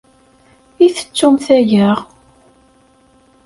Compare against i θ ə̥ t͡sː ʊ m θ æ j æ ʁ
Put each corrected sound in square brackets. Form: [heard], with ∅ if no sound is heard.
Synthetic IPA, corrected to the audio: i θ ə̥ t͡sː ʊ m θ æ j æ ʁ